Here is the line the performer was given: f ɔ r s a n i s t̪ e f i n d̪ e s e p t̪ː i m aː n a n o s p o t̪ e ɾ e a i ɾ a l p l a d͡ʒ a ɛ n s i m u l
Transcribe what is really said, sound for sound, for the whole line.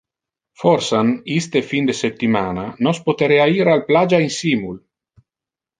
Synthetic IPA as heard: f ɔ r s a n i s t̪ e f i n d̪ e s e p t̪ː i m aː n a n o s p o t̪ e ɾ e a i ɾ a l p l a d͡ʒ a i n s i m u l

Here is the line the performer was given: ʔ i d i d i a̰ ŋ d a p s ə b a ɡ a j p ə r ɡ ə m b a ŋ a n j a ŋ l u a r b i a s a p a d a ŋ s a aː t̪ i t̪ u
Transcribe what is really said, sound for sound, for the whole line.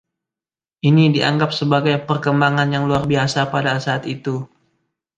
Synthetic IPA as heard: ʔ i n i d i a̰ ŋ ɡ a p s ə b a ɡ a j p ə r k ə m b a ŋ a n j a ŋ l u a r b i a s a p a d a s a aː t̪ i t̪ u

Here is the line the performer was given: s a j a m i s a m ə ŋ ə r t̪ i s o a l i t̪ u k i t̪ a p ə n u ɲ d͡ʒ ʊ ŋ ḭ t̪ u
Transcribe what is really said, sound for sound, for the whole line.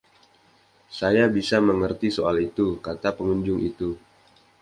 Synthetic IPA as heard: s a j a b i s a m ə ŋ ə r t̪ i s o a l i t̪ u k a t̪ a p ə ŋ u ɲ d͡ʒ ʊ ŋ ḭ t̪ u

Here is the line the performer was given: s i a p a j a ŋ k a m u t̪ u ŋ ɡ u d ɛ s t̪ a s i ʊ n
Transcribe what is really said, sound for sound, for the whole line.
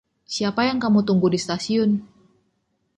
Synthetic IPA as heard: s i a p a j a ŋ k a m u t̪ u ŋ ɡ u d i s t̪ a s i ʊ n

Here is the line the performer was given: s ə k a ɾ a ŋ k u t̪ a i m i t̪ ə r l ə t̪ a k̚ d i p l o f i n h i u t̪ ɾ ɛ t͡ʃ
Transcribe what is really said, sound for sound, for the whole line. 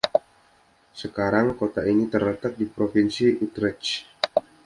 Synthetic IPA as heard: s ə k a ɾ a ŋ k o t̪ a i n i t̪ ə r l ə t̪ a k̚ d i p ɾ o f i n s i u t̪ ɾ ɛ t͡ʃ

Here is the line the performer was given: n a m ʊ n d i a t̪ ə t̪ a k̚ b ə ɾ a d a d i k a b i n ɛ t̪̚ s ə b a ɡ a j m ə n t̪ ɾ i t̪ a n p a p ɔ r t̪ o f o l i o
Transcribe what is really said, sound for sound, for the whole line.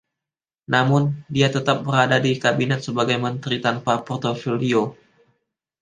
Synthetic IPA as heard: n a m ʊ n d i a t̪ ə t̪ a p̚ b ə ɾ a d a d i k a b i n ɛ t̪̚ s ə b a ɡ a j m ə n t̪ ɾ i t̪ a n p a p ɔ r t̪ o f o l i o

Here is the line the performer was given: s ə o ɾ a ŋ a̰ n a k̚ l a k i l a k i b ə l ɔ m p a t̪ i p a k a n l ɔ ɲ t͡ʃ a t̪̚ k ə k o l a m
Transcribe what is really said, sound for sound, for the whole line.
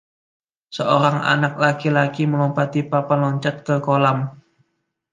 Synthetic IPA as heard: s ə o ɾ a ŋ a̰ n a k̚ l a k i l a k i m ə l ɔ m p a t̪ i p a p a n l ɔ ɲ t͡ʃ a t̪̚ k ə k o l a m

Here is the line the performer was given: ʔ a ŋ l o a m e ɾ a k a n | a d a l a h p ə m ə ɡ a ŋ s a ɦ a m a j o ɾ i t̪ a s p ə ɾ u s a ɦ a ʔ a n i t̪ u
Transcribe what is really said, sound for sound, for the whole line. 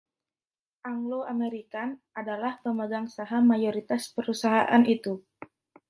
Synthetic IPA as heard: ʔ a ŋ l o a m e ɾ i k a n | a d a l a h p ə m ə ɡ a ŋ s a ɦ a m a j o ɾ i t̪ a s p ə ɾ u s a ɦ a ʔ a n i t̪ u

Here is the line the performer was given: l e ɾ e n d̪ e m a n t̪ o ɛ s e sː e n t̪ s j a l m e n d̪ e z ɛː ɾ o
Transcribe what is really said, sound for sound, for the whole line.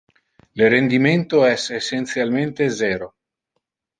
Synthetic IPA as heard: l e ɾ e n d̪ i m e n t̪ o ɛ s e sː e n t̪ s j a l m e n t̪ e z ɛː ɾ o

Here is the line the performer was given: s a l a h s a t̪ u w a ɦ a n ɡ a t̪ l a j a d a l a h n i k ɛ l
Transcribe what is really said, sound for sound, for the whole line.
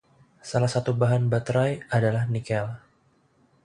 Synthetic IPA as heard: s a l a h s a t̪ u b a ɦ a n b a t̪ ɾ a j a d a l a h n i k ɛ l

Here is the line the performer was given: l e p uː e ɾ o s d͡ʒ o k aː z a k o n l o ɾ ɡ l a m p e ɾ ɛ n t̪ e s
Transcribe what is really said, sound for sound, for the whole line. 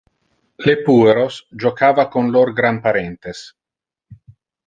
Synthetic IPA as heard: l e p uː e ɾ o s d͡ʒ o k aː v a k o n l o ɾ ɡ ɾ a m p a ɾ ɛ n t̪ e s

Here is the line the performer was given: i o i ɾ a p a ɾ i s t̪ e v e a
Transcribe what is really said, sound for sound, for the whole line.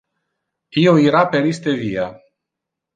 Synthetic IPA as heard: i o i ɾ a p e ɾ i s t̪ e v i a

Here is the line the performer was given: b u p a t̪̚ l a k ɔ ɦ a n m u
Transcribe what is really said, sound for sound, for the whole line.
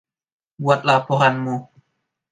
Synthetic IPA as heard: b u a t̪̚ l a p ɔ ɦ a n m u

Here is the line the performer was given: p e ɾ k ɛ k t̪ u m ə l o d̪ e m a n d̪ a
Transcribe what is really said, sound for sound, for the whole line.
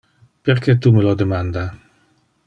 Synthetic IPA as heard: p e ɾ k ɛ t̪ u m ə l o d̪ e m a n d̪ a

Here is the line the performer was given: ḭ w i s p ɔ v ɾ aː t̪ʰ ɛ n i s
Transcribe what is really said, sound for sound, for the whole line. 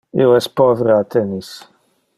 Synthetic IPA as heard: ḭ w ɛ s p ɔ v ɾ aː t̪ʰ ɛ n i s

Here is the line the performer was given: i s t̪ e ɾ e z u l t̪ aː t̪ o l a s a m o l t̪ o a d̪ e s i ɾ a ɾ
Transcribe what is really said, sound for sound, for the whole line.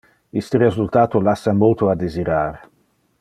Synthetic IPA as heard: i s t̪ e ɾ e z u l t̪ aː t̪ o l a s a m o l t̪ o a d̪ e z i ɾ a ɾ

